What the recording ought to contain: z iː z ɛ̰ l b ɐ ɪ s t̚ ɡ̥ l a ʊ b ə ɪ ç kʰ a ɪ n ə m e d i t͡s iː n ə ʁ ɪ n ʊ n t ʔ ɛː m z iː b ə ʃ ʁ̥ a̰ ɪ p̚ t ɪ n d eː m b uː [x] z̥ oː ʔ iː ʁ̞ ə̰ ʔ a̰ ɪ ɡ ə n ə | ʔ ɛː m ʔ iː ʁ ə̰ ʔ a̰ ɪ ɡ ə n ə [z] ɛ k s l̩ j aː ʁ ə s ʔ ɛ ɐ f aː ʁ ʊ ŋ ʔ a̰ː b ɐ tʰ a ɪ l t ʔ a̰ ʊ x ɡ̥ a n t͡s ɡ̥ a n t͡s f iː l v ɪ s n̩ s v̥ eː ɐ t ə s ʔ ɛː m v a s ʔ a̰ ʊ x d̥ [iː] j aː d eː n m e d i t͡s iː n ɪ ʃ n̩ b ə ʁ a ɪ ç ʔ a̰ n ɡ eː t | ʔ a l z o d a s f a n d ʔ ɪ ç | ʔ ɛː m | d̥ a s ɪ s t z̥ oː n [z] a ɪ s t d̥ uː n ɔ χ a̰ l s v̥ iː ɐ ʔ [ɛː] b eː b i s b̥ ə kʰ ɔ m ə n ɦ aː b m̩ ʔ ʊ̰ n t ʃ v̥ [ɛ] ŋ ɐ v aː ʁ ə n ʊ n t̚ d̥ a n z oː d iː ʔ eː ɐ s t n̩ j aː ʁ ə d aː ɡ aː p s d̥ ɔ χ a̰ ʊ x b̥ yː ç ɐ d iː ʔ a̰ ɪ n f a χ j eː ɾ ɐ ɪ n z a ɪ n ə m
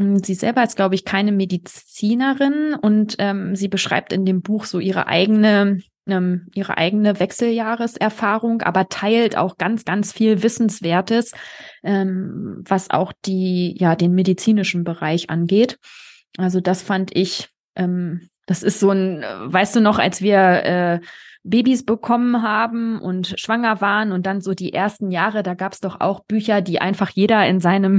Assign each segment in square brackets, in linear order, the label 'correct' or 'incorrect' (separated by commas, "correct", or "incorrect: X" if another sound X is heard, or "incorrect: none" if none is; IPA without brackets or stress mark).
correct, incorrect: v, correct, incorrect: v, correct, incorrect: a